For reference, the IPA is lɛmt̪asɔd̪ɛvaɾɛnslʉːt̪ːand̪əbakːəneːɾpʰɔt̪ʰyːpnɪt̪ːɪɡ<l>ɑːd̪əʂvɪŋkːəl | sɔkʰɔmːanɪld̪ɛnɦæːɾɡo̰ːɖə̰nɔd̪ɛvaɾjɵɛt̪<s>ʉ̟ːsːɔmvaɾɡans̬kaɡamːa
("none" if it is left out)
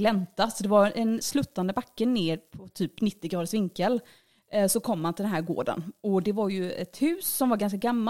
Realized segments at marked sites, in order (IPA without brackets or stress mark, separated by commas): ɾ, h